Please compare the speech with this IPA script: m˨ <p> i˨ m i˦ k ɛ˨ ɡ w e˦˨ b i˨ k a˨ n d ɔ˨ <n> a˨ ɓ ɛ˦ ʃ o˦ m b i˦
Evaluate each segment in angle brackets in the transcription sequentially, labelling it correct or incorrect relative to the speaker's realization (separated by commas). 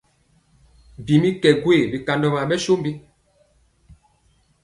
incorrect, incorrect